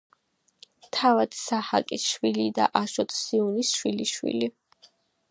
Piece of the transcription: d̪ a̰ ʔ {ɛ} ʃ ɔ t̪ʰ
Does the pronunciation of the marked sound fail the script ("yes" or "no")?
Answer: yes